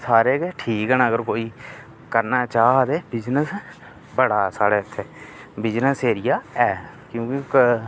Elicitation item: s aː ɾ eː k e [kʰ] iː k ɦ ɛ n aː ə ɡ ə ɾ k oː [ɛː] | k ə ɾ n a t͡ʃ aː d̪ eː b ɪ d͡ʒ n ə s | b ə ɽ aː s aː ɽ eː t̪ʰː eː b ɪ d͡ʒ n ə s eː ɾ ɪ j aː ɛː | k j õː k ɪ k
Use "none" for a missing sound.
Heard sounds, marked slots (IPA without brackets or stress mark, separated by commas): ʈʰ, iː